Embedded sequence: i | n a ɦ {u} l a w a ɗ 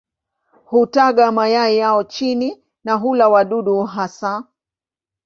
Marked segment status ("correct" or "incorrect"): correct